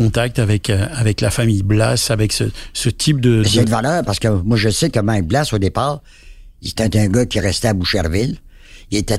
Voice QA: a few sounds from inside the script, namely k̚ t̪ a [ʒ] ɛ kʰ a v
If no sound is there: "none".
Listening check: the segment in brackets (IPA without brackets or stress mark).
v